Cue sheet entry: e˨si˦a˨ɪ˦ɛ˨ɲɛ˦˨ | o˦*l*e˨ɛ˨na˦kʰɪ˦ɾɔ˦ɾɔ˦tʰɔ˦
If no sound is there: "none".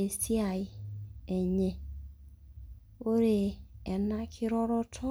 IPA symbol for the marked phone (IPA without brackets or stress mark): ɾ